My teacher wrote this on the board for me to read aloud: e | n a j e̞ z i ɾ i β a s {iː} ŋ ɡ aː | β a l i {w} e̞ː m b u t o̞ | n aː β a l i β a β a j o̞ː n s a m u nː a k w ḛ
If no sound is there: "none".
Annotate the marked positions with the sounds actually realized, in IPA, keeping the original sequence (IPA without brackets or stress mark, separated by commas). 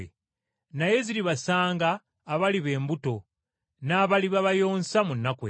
aː, β